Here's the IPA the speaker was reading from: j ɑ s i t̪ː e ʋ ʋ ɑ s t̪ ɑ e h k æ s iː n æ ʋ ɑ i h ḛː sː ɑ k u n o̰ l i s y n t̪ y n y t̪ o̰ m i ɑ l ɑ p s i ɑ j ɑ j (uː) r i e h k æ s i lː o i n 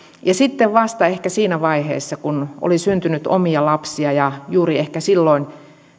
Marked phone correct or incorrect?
correct